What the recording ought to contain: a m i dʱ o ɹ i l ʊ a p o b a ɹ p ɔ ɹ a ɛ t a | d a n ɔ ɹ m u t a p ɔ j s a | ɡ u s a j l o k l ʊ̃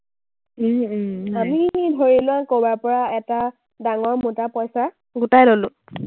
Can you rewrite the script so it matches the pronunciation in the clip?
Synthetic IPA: a m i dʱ o ɹ i l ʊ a k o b a ɹ p ɔ ɹ a ɛ t a | d a ŋ ɔ ɹ m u t a p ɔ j s a | ɡ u t a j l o l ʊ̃